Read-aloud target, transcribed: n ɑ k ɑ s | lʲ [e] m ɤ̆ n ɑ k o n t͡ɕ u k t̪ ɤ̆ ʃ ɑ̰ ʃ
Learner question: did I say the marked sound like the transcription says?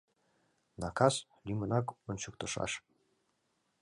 no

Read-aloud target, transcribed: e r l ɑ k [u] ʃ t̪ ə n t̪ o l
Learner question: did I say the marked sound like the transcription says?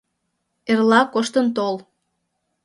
no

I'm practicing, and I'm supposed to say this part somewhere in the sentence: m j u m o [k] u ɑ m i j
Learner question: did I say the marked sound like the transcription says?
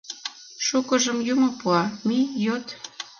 no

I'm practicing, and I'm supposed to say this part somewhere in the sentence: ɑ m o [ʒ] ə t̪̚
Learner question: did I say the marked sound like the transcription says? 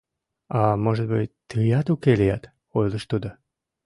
yes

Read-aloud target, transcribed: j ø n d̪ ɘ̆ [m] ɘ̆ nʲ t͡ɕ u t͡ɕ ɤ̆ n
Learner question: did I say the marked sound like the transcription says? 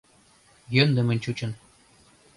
yes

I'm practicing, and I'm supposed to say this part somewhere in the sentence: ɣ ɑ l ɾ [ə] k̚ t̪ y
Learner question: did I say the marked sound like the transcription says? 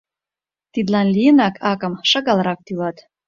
no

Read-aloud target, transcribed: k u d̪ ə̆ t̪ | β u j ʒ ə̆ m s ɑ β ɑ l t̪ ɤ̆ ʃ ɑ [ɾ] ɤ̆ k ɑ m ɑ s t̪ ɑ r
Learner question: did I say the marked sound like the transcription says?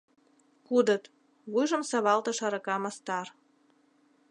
yes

